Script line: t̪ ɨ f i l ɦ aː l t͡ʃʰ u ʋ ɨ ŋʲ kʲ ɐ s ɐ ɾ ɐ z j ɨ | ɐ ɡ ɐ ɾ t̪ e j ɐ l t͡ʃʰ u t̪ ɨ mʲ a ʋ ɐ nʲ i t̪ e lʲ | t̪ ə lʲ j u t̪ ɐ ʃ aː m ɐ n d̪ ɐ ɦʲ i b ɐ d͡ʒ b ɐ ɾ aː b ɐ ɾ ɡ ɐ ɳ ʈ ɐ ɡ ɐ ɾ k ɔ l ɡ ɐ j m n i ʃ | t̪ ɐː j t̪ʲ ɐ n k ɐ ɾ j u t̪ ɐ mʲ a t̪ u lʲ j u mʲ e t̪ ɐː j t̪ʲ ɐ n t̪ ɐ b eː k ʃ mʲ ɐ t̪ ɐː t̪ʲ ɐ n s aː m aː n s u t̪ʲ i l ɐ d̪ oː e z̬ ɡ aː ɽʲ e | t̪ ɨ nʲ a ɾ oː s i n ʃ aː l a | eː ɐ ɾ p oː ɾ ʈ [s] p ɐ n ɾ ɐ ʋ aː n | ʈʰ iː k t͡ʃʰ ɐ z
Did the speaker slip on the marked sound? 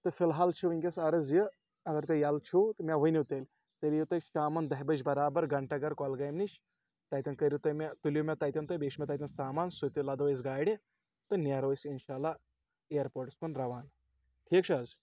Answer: no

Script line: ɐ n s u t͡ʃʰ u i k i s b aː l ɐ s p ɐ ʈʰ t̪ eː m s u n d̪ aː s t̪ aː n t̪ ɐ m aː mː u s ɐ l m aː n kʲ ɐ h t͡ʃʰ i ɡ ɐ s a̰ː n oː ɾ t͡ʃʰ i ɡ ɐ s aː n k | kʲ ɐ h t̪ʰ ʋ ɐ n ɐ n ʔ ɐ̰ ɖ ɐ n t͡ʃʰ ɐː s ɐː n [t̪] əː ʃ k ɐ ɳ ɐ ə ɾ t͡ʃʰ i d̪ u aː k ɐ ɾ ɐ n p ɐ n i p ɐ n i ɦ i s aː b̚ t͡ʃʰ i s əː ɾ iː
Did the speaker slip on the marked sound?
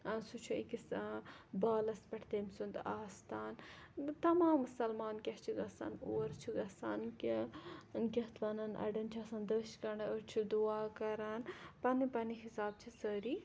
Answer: yes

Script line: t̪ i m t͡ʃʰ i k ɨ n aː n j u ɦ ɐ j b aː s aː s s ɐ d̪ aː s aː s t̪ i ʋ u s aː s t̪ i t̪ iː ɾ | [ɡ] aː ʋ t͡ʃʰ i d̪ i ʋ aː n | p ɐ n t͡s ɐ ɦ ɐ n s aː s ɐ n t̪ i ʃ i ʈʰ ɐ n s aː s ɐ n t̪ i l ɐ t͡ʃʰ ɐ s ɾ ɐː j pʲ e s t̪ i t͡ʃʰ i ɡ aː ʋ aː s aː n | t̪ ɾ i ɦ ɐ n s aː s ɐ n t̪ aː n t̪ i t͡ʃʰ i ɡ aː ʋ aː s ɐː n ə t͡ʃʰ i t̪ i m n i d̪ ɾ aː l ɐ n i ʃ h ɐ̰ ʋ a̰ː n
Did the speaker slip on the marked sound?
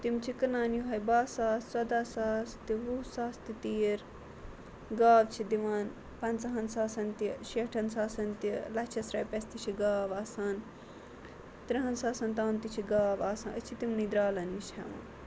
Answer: no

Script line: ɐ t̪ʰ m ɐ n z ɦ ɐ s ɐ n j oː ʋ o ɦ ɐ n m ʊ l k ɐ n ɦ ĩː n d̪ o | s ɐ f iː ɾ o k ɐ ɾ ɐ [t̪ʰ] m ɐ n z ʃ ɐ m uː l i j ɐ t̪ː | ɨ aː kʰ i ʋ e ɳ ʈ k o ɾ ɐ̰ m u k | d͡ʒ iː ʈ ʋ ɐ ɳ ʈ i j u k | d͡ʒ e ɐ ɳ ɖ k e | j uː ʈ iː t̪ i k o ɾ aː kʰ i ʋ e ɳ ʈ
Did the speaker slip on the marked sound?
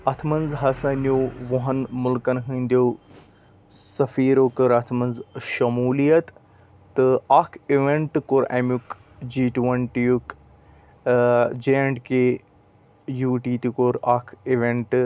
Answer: no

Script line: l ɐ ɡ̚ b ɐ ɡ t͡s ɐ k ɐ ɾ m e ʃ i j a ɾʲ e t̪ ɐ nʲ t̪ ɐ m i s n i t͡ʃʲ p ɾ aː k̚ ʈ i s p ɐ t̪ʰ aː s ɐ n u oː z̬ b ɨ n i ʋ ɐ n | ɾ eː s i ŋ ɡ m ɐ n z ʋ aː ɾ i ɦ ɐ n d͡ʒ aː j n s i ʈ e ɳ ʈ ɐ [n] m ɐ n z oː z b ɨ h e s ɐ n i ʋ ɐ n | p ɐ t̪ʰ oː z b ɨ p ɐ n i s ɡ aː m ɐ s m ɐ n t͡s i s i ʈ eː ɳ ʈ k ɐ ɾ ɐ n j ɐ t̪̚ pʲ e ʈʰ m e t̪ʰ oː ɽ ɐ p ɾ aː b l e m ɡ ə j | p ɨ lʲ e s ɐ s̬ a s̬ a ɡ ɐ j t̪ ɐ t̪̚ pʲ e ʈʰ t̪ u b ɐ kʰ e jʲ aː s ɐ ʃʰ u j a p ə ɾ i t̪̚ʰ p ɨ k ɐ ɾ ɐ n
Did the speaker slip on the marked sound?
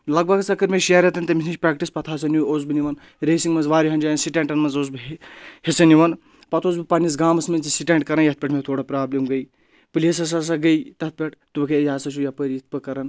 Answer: no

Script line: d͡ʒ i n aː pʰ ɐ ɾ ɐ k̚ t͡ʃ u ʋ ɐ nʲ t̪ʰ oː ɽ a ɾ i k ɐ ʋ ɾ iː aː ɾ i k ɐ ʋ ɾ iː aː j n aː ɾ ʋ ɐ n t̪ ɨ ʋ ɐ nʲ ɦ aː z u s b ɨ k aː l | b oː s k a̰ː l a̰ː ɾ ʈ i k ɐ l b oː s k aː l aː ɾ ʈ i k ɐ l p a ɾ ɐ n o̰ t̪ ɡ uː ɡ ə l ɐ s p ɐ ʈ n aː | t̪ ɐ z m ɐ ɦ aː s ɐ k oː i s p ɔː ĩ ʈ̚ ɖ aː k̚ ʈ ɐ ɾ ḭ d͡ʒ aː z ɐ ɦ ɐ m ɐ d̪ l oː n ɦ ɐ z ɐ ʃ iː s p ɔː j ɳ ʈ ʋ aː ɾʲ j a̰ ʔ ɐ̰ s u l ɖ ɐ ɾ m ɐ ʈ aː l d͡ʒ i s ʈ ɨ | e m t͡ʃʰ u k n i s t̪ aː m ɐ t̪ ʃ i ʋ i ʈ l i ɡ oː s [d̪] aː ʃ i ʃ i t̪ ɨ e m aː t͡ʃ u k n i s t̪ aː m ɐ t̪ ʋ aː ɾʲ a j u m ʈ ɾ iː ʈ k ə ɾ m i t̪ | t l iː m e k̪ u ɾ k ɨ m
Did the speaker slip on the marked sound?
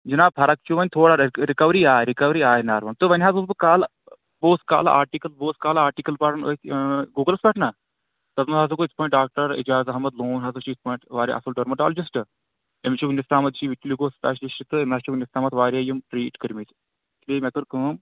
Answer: yes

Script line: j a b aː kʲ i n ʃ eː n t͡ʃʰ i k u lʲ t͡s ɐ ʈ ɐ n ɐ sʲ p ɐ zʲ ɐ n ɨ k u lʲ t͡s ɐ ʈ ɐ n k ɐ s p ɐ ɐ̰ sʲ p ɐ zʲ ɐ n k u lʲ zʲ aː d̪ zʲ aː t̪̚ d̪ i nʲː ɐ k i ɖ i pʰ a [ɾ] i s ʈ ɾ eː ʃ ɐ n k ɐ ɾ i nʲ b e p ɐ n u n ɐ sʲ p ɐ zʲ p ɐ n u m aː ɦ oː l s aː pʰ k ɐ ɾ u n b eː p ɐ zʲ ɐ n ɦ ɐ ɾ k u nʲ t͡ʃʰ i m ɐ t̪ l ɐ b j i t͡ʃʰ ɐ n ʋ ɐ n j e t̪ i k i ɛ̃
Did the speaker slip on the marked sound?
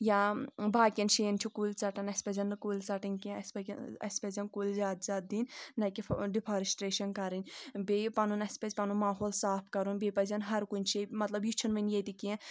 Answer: no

